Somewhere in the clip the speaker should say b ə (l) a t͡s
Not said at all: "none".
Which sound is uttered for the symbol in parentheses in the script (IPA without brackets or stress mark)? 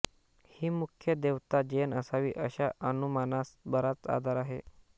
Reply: ɾ